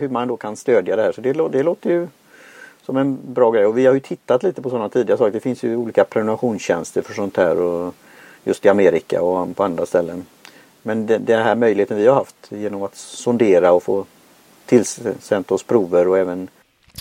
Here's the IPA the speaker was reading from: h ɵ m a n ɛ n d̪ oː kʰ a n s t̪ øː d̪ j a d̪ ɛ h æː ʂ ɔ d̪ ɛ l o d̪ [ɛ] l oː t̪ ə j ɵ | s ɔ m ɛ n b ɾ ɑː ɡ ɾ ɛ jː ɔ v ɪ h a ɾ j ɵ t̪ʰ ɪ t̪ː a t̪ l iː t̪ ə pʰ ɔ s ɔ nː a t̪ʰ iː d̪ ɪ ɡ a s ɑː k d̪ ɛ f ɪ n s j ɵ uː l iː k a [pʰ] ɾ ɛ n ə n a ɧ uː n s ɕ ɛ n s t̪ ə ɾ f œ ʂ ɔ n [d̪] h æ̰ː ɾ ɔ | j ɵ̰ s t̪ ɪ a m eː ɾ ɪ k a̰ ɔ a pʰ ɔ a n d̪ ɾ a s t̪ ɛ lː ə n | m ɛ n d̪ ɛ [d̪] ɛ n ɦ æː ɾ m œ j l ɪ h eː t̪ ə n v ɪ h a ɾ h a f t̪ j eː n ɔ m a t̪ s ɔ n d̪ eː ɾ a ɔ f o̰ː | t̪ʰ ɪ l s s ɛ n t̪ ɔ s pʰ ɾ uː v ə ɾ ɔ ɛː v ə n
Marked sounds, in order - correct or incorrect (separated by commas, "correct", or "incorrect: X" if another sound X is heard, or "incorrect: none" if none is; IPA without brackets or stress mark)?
correct, correct, incorrect: t̪, correct